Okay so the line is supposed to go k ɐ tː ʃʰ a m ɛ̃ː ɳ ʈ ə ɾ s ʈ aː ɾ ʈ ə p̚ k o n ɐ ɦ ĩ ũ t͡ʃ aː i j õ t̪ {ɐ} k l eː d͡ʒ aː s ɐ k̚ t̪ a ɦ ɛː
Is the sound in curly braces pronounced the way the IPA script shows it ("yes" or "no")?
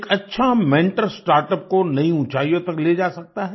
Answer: yes